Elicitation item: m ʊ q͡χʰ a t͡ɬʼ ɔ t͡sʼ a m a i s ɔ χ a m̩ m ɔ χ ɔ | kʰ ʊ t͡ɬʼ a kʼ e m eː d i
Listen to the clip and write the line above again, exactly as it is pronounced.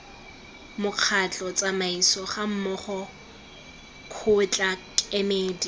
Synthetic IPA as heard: m ʊ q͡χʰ a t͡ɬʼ ɔ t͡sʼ a m a i s ɔ χ a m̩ m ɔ χ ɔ | kʰ ʊ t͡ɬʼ a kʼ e m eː d i